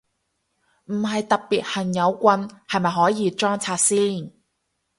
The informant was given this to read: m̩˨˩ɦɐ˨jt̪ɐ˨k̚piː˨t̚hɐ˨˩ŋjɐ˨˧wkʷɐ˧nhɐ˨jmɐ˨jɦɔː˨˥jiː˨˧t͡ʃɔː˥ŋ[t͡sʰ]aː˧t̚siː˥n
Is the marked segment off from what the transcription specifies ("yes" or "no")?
no